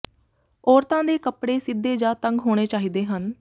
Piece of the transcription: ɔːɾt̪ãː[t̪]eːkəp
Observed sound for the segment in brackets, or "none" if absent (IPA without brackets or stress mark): d̪